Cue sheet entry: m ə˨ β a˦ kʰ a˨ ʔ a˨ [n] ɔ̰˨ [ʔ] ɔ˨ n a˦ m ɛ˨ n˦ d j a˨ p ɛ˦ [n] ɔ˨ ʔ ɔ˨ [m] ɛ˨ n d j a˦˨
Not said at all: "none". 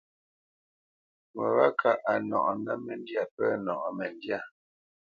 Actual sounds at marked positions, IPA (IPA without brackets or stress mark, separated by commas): n, ʔ, n, m